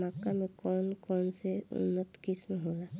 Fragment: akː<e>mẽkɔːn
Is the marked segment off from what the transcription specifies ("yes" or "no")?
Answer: yes